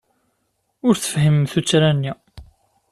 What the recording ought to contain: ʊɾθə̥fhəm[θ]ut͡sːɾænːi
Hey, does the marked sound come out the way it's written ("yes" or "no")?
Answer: yes